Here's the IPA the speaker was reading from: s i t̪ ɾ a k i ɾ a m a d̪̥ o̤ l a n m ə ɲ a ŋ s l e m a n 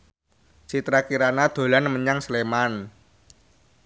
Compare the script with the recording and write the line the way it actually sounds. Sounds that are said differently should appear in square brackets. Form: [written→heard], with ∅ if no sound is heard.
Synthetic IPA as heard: s i t̪ ɾ a k i ɾ a [m→n] a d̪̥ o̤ l a n m ə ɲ a ŋ s l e m a n